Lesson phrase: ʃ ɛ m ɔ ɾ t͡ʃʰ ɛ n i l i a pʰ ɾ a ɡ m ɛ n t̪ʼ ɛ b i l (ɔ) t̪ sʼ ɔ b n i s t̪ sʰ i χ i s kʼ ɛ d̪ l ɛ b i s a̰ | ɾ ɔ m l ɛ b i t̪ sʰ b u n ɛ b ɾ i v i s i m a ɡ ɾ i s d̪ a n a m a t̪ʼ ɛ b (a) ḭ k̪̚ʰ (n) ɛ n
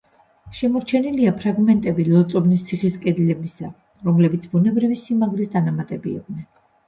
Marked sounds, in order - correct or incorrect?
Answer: correct, incorrect: i, correct

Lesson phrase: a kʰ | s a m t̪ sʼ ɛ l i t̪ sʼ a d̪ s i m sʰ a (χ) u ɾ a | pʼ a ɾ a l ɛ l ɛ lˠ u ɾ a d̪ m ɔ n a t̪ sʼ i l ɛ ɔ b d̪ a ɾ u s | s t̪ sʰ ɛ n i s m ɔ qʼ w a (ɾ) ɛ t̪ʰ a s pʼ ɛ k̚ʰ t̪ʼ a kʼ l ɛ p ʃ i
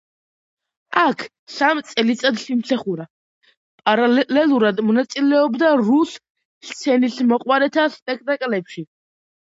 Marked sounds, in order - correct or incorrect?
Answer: correct, correct

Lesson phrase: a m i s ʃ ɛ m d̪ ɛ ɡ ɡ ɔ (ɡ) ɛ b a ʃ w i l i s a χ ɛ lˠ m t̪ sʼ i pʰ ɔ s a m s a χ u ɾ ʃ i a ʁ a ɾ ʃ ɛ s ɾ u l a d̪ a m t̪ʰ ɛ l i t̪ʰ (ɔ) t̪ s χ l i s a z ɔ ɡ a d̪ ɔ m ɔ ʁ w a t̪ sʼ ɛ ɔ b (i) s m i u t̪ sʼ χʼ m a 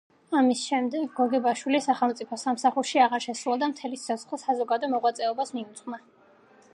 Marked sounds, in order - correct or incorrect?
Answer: correct, correct, incorrect: a

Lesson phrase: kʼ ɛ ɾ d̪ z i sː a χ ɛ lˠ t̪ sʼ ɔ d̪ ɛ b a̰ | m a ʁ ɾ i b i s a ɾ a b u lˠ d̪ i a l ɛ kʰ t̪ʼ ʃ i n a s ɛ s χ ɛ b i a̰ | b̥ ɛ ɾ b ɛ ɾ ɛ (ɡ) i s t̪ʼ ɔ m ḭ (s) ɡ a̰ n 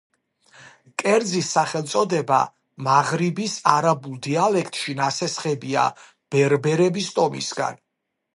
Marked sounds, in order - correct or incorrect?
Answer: incorrect: b, correct

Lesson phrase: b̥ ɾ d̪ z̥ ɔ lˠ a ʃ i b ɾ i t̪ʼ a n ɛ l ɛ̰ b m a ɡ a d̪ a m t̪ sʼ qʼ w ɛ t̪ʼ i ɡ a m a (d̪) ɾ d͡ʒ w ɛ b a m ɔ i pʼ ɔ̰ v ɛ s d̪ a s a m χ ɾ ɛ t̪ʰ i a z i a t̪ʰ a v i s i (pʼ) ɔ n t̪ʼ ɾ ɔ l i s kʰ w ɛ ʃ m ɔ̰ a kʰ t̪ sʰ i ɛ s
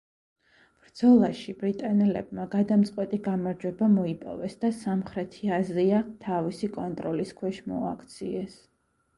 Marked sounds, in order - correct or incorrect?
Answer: incorrect: none, incorrect: kʼ

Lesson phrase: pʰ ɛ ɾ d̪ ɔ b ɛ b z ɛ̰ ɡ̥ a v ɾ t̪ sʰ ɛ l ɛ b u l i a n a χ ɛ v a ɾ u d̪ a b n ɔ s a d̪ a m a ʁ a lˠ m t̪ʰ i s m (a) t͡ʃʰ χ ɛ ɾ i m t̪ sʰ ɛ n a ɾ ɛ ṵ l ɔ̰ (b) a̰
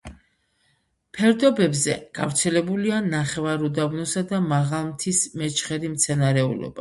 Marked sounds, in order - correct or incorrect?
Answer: incorrect: ɛ, correct

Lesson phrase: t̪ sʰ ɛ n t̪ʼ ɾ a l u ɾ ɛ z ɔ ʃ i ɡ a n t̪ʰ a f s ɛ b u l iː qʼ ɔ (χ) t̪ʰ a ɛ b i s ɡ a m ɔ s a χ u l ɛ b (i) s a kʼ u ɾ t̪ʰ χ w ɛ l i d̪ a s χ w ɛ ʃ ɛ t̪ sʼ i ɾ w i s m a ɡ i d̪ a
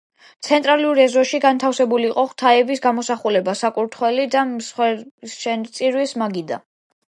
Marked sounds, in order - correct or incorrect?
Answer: correct, incorrect: a

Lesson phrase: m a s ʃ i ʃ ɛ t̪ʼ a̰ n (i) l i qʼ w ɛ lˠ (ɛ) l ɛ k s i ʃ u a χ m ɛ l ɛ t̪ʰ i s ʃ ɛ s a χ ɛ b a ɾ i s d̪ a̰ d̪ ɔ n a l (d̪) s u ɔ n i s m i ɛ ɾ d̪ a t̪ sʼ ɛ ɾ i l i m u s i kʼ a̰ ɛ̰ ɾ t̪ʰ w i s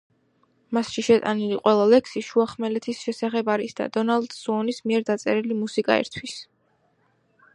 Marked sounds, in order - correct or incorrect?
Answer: correct, incorrect: a, correct

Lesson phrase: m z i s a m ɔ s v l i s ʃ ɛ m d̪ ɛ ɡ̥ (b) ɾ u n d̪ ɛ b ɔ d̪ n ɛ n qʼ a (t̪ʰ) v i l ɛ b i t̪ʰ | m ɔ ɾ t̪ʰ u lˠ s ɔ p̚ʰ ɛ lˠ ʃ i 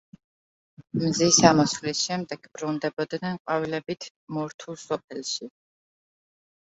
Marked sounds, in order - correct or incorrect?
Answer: correct, incorrect: none

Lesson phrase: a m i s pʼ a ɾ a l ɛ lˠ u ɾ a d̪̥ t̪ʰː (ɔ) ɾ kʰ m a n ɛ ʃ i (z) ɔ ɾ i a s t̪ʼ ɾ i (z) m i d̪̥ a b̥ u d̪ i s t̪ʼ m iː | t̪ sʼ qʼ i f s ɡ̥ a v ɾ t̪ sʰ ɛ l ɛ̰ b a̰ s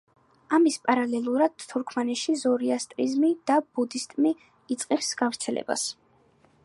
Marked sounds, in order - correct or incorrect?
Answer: incorrect: u, correct, correct

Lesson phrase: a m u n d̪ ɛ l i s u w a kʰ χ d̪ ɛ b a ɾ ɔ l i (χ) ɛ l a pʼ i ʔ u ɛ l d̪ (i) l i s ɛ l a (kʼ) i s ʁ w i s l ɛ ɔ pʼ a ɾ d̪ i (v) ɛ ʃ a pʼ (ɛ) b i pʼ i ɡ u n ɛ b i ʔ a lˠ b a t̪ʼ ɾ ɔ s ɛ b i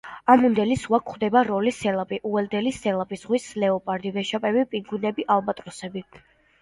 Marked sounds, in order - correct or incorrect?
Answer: incorrect: s, incorrect: ɛ, incorrect: pʼ, correct, correct

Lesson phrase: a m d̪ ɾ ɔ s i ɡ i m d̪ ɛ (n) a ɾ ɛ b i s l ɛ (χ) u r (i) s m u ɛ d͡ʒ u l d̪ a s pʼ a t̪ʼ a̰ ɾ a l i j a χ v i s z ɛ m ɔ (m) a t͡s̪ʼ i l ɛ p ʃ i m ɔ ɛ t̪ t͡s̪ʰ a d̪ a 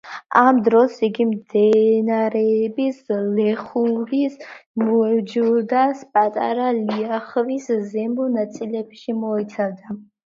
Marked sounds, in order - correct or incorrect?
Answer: correct, correct, correct, incorrect: n

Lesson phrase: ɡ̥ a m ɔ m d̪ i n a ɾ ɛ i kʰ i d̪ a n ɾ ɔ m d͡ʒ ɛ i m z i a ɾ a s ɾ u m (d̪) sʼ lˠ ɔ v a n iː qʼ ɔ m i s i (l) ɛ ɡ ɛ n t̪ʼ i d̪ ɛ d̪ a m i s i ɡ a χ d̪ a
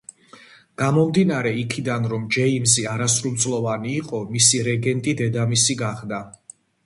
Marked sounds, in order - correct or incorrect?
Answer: incorrect: t̪, incorrect: ɾ

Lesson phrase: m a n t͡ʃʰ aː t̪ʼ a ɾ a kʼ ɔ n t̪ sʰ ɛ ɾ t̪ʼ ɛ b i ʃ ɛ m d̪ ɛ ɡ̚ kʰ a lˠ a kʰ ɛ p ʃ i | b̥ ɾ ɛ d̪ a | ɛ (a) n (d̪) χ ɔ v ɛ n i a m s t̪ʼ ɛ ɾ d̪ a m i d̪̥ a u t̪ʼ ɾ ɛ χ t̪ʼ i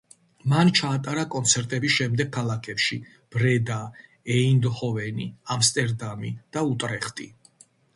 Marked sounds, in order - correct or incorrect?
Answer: incorrect: i, correct

